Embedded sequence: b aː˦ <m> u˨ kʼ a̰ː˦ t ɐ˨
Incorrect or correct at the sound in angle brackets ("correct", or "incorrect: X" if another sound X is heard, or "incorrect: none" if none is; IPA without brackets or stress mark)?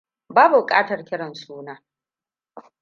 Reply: incorrect: b